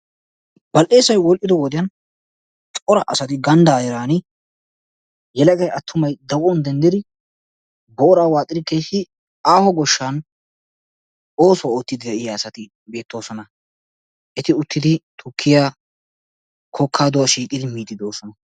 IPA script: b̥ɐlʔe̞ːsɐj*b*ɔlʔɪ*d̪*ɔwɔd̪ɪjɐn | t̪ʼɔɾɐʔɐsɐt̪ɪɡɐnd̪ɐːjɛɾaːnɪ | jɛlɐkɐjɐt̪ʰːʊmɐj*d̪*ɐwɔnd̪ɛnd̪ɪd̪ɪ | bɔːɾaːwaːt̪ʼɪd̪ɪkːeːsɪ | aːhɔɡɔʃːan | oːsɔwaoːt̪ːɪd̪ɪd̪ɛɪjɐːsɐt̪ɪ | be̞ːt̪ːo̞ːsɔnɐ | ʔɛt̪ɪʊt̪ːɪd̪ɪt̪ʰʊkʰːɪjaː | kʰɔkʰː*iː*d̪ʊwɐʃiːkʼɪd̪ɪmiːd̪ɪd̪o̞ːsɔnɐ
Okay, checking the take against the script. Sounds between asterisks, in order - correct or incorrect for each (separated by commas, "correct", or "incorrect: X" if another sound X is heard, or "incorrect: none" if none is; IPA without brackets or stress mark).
incorrect: w, correct, correct, incorrect: aː